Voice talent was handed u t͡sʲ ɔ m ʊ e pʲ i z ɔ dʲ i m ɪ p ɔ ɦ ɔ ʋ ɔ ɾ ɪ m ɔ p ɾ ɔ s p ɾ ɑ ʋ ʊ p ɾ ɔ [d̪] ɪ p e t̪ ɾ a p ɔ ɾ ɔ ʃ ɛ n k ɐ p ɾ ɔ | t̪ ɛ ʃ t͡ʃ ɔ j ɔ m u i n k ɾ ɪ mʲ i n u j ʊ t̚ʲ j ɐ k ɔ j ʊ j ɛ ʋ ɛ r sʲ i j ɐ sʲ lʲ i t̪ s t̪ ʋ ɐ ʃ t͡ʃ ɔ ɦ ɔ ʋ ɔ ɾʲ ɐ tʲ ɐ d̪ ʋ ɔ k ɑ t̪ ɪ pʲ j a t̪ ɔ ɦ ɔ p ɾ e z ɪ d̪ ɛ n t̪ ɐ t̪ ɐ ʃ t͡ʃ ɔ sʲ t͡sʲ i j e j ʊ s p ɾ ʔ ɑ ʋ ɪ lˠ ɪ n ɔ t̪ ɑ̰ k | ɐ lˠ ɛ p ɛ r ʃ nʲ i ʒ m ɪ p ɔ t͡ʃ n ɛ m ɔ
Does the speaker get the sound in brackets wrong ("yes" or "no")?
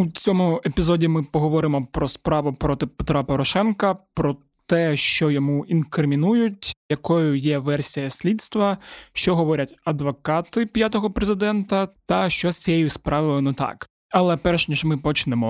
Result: yes